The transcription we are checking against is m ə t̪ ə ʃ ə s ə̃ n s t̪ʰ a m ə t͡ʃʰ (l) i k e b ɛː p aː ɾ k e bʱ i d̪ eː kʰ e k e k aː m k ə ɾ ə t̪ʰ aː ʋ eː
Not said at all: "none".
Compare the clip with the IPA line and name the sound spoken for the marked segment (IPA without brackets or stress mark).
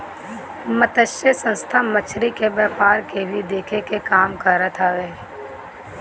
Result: ɾ